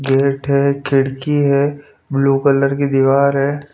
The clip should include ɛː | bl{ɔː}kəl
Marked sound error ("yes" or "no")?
yes